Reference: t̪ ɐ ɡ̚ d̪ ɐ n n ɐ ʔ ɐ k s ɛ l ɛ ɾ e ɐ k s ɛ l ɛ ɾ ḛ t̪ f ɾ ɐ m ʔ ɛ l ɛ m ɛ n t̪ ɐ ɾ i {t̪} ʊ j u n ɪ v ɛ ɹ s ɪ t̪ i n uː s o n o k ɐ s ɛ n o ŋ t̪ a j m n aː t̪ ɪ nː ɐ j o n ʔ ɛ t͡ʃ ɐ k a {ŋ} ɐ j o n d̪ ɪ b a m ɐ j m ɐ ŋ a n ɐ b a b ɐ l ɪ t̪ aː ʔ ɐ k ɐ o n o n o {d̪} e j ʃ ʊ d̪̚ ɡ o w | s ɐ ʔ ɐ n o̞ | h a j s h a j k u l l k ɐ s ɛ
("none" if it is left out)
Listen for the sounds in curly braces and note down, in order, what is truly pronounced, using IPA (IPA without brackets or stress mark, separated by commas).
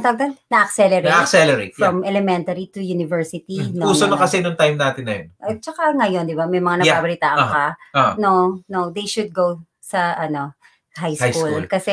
t̪, ŋ, d̪